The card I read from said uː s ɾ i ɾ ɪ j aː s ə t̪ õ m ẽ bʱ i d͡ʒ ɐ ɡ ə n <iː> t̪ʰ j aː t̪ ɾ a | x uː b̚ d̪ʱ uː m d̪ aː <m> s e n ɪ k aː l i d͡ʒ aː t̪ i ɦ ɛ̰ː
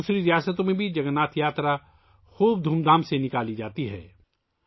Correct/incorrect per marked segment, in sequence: incorrect, correct

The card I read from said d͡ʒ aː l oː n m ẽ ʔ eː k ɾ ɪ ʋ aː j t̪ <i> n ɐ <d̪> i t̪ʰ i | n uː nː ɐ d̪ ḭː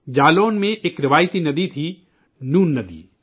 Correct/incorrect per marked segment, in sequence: correct, correct

